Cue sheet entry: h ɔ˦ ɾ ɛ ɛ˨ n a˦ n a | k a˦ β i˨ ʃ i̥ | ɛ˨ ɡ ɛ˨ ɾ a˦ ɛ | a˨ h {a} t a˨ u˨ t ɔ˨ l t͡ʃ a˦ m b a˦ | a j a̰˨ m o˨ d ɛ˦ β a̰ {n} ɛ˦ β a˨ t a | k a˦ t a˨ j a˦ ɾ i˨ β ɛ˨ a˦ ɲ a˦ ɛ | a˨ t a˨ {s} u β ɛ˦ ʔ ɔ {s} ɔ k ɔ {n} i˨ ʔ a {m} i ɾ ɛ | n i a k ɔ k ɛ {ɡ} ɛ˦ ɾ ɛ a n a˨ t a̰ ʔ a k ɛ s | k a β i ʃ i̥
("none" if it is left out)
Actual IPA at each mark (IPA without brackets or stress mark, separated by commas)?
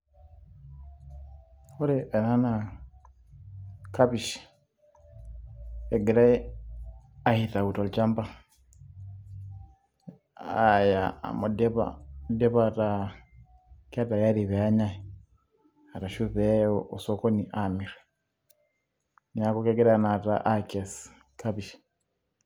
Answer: i, d, ʃ, s, n, m, ɡ